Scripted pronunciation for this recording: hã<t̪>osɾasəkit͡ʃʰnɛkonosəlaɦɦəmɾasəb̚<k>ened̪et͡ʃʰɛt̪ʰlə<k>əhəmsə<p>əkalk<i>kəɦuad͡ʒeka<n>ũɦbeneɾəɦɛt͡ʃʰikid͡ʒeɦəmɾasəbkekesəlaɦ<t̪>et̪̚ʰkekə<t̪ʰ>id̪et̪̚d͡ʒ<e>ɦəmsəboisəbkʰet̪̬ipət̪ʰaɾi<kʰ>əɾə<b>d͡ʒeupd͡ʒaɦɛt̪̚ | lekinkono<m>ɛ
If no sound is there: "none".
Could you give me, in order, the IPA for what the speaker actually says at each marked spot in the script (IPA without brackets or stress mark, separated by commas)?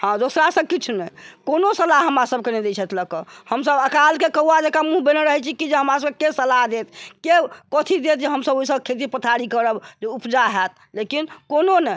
d̪, k, k, b, e, m, d̪, t̪ʰ, e, k, b, n